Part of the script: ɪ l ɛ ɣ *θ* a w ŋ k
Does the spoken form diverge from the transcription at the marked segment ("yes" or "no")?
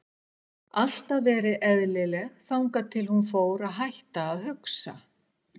no